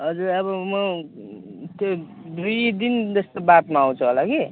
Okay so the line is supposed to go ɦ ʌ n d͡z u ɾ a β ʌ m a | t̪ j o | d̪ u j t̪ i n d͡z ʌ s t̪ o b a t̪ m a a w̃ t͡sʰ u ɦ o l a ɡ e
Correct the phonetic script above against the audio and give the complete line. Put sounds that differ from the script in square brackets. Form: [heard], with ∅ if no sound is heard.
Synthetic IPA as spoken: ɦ ʌ [∅] d͡z u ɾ [ʌ] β ʌ m [ʌ] | t̪ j o | d̪ u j [d̪] i n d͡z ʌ s t̪ o b a t̪ m a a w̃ t͡sʰ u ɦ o l a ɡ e